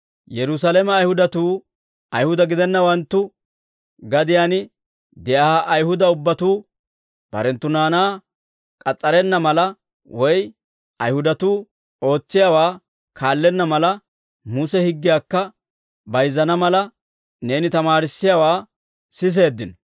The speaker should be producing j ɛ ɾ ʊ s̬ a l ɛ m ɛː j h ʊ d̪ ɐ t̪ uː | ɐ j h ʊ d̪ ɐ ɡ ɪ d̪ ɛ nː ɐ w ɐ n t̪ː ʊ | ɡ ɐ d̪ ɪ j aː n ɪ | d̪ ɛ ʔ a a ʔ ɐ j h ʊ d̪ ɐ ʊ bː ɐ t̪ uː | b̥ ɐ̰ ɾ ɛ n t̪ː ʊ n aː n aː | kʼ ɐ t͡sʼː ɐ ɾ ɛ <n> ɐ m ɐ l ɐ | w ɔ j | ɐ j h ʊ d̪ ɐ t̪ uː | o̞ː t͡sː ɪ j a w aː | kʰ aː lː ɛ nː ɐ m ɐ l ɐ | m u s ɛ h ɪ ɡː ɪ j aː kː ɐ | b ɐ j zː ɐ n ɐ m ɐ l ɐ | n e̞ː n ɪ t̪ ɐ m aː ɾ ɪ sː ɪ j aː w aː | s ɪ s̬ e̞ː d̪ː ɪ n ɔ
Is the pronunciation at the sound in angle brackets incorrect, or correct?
incorrect